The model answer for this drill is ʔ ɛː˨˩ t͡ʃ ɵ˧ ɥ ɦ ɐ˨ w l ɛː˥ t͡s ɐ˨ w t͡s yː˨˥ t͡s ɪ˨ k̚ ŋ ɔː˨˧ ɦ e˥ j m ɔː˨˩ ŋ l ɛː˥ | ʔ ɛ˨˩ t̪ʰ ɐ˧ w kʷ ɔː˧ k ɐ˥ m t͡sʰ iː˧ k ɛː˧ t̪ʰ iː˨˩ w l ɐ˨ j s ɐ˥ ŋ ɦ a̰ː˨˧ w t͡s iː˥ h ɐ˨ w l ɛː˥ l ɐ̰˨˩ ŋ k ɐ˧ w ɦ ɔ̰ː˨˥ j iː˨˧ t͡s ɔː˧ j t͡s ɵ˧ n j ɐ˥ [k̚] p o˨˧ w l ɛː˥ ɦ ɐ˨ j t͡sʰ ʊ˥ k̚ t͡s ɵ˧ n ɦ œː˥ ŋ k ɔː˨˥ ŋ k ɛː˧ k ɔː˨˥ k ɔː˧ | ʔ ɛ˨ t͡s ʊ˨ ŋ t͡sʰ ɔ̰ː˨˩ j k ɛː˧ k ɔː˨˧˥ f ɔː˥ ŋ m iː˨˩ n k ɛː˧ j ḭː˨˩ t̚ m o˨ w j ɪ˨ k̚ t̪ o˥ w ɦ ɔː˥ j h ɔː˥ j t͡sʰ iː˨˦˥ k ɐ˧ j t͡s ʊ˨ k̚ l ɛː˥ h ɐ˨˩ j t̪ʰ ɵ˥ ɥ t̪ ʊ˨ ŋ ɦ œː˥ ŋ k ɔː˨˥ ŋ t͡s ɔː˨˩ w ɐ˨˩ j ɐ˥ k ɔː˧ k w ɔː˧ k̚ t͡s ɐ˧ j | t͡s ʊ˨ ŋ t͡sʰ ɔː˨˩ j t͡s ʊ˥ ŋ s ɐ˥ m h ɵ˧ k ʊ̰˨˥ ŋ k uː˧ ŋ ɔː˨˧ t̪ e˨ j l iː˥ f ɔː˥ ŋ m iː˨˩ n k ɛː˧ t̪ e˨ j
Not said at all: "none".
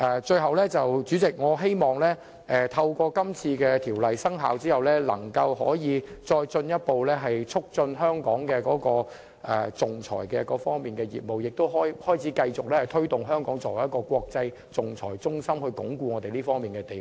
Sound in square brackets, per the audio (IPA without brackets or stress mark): t̚